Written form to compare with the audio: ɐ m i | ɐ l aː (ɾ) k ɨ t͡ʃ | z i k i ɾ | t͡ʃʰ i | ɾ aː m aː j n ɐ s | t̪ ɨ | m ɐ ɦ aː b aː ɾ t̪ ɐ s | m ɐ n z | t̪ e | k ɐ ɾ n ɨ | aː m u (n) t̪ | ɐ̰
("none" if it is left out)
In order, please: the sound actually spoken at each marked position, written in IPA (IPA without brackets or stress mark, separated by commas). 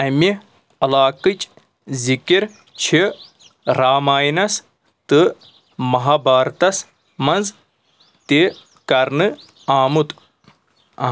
none, none